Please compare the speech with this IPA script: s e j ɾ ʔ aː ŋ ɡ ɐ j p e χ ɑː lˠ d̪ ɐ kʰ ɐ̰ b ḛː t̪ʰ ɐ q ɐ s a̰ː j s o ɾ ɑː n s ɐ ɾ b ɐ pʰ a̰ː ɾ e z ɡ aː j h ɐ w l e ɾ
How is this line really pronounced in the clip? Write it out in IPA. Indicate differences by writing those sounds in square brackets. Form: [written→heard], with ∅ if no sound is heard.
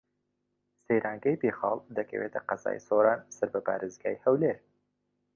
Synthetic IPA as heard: s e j ɾ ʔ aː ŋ ɡ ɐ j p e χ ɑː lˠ d̪ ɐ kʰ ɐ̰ [b→w] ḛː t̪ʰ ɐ q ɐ [s→z] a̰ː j s o ɾ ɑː n s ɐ ɾ b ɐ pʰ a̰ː ɾ e z ɡ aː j h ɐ w l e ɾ